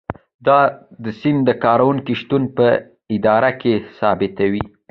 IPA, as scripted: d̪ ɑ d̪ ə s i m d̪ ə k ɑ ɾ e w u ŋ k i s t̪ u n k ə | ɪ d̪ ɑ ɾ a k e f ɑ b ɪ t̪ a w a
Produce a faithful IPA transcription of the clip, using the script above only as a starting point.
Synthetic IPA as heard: d̪ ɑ d̪ ə s i m d̪ ə k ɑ ɾ a w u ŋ k i ʃ t̪ u n p ə | ɪ d̪ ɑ ɾ a k e s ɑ b ɪ t̪ a w i

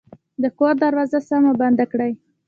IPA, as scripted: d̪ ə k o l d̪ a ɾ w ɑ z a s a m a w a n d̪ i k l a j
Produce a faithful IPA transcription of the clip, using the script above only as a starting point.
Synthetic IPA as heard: d̪ ə k o ɾ d̪ a ɾ w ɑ z a s a m a b a n d̪ a k ɽ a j

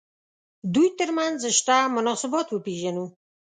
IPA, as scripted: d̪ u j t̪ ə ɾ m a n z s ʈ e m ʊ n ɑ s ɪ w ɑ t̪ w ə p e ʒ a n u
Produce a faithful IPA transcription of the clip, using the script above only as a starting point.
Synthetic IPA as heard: d̪ u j t̪ ə ɾ m a n z ʃ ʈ a m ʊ n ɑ s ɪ b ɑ t̪ w ə p e ʒ a n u

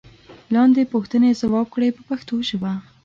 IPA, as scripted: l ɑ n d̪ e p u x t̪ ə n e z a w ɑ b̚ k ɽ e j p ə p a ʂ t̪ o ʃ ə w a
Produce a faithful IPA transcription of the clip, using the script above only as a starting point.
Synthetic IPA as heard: l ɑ n d̪ e p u x t̪ ə n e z a w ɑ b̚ k ɽ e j p ə p a x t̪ o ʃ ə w a

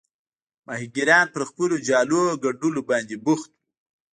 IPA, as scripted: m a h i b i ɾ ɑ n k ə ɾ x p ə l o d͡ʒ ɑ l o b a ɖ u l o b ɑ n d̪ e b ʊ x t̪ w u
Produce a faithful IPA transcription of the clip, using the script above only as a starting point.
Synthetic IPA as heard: m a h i ɡ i ɾ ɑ n p ə ɾ x p ə l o d͡ʒ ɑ l o ɡ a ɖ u l o b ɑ n d̪ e b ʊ x t̪ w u

